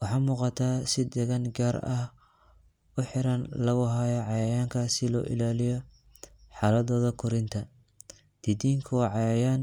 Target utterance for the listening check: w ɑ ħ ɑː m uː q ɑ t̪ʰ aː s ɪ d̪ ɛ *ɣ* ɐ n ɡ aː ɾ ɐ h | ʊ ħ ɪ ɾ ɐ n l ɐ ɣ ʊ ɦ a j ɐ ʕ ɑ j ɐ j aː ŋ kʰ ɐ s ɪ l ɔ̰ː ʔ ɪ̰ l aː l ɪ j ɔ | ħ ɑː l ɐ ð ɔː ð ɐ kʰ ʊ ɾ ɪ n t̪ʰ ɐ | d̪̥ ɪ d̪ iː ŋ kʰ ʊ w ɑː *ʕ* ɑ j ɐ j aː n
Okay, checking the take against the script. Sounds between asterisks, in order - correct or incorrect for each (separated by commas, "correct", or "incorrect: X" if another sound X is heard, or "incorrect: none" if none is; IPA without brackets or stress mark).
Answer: correct, correct